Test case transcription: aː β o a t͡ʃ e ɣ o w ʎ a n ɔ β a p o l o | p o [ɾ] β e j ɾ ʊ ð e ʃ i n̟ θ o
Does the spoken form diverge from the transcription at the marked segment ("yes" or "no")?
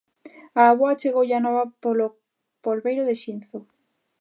yes